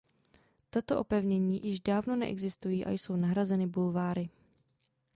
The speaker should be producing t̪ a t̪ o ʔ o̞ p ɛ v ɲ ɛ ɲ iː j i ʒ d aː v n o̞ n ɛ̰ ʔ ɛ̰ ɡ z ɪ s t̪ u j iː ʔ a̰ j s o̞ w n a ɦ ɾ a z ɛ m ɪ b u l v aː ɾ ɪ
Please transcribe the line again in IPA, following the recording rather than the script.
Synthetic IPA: t̪ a t̪ o ʔ o̞ p ɛ v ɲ ɛ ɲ iː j ɪ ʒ d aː v n o̞ n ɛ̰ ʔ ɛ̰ ɡ z ɪ s t̪ u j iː ʔ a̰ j s o̞ w n a ɦ ɾ a z ɛ n ɪ b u l v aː ɾ ɪ